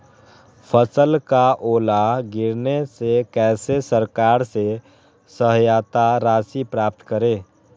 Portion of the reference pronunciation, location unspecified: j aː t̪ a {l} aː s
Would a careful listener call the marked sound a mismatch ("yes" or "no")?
yes